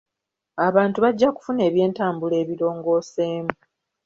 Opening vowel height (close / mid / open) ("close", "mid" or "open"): open